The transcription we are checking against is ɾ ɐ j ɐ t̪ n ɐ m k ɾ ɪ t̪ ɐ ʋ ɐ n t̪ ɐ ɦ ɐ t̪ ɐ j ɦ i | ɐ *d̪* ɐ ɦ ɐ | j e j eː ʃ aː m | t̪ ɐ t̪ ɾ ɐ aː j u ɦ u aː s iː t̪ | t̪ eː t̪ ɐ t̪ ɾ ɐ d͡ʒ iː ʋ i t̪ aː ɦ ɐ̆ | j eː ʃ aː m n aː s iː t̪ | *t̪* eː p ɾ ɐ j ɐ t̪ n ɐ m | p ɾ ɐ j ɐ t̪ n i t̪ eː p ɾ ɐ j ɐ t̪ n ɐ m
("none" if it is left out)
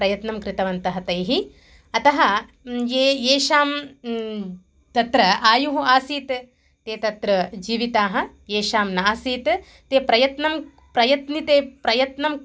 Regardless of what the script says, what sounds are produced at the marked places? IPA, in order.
t̪, t̪

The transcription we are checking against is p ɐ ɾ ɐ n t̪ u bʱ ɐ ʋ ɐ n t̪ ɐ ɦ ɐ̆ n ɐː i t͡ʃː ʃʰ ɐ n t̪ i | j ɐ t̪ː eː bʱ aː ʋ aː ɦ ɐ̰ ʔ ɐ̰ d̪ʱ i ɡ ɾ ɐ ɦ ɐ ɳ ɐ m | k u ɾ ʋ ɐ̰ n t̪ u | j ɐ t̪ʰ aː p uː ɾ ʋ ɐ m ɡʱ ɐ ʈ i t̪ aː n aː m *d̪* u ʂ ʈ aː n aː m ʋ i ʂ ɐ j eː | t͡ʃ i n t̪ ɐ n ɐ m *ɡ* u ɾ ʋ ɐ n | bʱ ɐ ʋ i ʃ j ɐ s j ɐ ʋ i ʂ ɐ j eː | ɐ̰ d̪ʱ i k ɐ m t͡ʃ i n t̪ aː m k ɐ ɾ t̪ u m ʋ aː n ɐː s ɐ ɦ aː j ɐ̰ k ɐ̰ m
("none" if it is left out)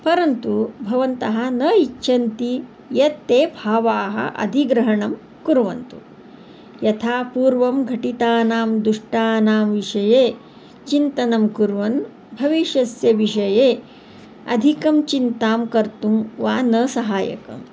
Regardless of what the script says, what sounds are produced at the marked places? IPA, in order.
d̪, k

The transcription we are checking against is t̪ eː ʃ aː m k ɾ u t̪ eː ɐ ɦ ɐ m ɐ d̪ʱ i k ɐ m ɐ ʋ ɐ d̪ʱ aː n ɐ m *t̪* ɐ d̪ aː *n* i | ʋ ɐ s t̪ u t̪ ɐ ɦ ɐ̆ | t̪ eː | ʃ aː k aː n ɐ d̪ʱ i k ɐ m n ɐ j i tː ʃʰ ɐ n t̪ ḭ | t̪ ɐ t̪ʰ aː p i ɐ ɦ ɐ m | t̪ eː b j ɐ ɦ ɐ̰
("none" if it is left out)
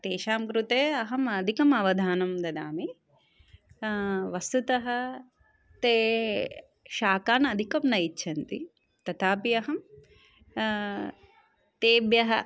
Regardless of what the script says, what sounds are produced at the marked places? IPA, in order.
d̪, m

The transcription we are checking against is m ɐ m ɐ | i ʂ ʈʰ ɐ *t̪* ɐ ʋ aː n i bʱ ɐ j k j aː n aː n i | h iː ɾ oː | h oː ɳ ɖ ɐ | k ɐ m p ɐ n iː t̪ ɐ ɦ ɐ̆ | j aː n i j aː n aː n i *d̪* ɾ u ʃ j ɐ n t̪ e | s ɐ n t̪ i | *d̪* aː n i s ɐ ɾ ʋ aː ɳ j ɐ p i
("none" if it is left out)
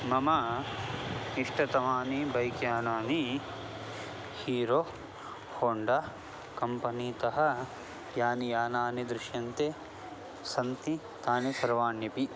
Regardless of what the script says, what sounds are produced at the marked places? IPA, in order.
t̪, d̪, t̪

